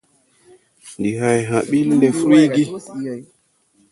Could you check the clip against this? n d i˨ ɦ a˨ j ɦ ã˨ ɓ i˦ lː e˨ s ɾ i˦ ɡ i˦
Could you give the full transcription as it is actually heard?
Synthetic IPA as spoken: n d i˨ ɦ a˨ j ɦ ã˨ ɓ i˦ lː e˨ f ɾ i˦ ɡ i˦